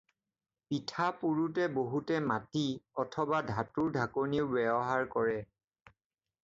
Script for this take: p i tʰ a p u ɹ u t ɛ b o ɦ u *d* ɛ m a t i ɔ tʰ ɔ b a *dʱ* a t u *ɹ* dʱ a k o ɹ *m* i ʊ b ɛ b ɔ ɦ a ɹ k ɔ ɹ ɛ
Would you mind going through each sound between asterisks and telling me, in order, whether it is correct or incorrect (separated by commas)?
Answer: incorrect, correct, correct, incorrect